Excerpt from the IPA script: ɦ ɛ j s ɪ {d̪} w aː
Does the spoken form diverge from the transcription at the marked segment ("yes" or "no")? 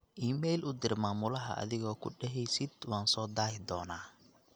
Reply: no